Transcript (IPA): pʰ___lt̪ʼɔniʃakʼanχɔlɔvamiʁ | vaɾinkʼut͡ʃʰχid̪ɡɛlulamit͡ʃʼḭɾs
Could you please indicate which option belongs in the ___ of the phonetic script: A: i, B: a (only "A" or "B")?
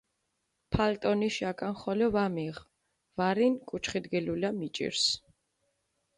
B